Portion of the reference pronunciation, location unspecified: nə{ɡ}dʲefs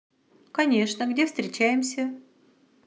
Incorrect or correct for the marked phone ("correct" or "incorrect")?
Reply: correct